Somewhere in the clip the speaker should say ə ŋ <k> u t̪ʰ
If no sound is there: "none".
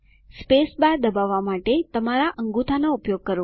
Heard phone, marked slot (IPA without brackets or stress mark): ɡ